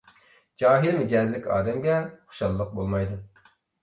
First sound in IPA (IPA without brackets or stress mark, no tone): d͡ʒ